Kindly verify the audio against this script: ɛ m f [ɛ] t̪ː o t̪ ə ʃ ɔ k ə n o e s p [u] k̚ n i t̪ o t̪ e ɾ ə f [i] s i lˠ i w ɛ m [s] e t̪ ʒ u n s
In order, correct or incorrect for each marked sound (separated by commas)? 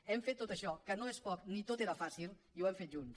incorrect, incorrect, incorrect, incorrect